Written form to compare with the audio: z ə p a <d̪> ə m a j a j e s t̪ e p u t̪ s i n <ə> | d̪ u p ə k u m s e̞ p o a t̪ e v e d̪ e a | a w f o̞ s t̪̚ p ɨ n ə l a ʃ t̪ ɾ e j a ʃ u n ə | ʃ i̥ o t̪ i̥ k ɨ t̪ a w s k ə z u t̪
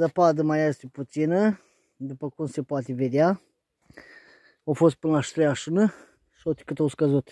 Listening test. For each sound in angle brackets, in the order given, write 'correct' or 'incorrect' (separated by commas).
correct, correct